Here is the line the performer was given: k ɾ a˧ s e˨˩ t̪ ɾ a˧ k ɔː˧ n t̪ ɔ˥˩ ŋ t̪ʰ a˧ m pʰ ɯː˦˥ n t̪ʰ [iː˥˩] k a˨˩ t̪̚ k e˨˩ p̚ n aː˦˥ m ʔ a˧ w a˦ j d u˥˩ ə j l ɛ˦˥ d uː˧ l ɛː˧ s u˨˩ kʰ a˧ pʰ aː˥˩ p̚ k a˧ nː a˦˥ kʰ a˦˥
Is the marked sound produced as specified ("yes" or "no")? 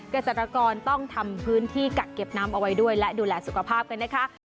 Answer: yes